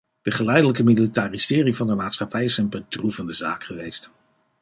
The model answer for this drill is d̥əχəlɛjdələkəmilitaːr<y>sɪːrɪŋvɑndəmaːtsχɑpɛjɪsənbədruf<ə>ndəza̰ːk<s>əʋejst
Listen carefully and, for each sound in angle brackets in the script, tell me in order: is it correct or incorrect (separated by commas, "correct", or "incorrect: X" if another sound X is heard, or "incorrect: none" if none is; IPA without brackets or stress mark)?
incorrect: i, correct, incorrect: χ